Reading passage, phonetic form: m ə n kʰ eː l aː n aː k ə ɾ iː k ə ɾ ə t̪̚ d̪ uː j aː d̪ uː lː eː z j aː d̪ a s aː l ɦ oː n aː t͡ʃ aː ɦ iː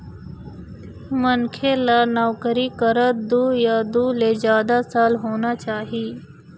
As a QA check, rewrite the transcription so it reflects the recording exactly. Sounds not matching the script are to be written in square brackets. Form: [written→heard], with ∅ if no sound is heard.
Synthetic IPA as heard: m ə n kʰ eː l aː n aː k ə ɾ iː k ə ɾ ə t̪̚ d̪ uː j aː d̪ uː [lː→l] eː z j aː d̪ a s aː l ɦ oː n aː t͡ʃ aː ɦ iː